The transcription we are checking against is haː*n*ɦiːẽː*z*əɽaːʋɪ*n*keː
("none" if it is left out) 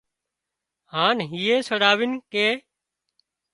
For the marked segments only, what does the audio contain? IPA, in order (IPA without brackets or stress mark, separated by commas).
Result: n, s, n